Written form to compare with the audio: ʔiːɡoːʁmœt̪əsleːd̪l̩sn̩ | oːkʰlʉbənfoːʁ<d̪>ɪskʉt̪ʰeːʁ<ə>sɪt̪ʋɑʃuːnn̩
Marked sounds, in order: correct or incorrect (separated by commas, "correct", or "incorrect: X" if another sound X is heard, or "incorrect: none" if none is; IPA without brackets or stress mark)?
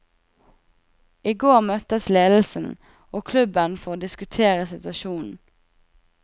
correct, correct